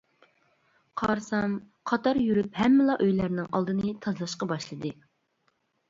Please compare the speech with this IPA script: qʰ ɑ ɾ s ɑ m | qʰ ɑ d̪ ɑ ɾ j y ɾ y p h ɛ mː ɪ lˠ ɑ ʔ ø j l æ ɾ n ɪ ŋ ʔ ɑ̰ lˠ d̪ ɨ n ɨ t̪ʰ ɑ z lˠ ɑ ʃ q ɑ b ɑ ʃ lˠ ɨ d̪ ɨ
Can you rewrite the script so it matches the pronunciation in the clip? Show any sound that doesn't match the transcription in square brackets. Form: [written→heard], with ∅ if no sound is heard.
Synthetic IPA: qʰ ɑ ɾ s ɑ m | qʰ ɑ [d̪→t̪] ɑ ɾ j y ɾ y p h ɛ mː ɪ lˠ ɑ ʔ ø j l æ ɾ n ɪ ŋ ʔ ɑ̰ lˠ d̪ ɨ n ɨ t̪ʰ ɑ z lˠ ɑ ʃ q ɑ b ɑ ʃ lˠ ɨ d̪ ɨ

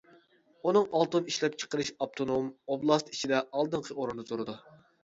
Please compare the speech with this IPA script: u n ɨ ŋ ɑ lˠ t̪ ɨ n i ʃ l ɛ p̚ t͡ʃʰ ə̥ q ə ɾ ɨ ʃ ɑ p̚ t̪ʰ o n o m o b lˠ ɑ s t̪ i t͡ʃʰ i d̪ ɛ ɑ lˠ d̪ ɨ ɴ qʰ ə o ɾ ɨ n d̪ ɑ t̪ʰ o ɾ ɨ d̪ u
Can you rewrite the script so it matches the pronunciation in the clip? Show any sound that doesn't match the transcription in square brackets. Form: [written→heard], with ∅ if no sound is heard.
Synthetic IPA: u n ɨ ŋ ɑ lˠ t̪ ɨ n i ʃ l ɛ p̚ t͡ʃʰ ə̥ q ə ɾ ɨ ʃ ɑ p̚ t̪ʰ o n o m o b lˠ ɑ s t̪ i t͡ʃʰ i d̪ ɛ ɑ lˠ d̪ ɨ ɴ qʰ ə o ɾ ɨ n d̪ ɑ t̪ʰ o ɾ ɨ d̪ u

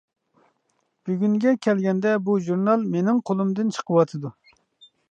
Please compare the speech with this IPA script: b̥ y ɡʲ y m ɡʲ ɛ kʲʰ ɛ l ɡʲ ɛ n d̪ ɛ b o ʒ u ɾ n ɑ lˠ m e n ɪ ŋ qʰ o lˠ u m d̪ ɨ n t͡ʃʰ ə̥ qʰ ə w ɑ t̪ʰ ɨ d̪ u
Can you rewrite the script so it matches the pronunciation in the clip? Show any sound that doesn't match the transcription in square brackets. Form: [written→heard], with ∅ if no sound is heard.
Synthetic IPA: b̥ y ɡʲ y [m→ŋ] ɡʲ ɛ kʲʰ ɛ l ɡʲ ɛ n d̪ ɛ b [o→u] ʒ u ɾ n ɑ lˠ m e n ɪ ŋ qʰ o lˠ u m d̪ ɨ n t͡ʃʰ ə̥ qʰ ə w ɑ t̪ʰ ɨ d̪ u

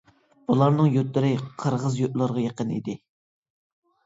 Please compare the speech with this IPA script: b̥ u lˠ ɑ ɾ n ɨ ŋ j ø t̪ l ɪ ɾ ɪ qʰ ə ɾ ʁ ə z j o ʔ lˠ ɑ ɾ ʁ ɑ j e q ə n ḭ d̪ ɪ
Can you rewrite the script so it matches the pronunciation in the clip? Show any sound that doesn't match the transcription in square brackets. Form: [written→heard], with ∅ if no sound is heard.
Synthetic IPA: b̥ u lˠ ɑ ɾ n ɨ ŋ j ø t̪ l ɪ ɾ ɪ qʰ ə ɾ ʁ ə z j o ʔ lˠ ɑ ɾ ʁ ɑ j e q ə n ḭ d̪ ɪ

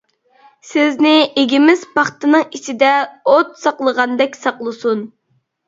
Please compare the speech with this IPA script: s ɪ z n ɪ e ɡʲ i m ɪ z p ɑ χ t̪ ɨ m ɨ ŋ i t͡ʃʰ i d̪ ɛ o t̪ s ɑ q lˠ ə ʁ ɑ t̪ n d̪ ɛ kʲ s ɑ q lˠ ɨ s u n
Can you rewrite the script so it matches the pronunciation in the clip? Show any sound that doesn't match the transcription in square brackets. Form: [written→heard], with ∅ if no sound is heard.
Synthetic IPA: s ɪ z n ɪ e ɡʲ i m ɪ z p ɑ χ t̪ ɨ [m→n] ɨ ŋ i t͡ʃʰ i d̪ ɛ o t̪ s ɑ q lˠ ə ʁ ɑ [t̪→∅] n d̪ ɛ kʲ s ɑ q lˠ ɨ s u n

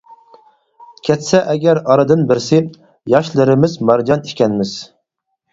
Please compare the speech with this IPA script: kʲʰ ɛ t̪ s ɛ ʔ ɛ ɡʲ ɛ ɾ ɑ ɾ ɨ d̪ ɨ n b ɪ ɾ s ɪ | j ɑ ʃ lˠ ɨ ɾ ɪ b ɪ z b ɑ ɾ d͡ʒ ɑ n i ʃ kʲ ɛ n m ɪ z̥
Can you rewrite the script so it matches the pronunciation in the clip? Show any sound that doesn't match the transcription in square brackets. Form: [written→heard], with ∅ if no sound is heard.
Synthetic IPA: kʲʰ ɛ t̪ s ɛ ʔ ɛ ɡʲ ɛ ɾ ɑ ɾ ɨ d̪ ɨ n b ɪ ɾ s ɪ | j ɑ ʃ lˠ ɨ ɾ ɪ [b→m] ɪ z [b→m] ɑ ɾ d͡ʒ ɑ n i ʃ kʲ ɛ n m ɪ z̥

